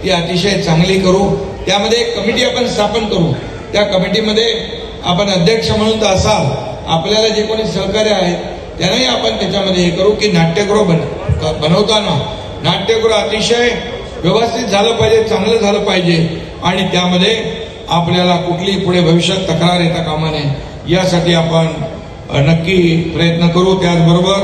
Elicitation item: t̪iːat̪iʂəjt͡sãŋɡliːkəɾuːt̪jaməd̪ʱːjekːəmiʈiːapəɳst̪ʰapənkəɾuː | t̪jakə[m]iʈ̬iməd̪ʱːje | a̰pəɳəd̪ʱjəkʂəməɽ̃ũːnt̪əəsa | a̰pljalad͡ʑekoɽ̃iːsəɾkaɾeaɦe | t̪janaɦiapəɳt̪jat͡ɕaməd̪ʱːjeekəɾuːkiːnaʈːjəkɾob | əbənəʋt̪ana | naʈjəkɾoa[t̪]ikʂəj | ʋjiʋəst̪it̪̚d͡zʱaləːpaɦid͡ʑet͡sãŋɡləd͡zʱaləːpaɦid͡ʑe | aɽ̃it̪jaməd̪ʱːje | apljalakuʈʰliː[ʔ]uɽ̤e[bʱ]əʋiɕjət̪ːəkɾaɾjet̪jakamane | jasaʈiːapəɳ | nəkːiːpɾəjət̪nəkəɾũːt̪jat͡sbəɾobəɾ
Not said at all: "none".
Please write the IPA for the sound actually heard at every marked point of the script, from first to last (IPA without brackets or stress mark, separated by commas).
m, t̪, p, bʱ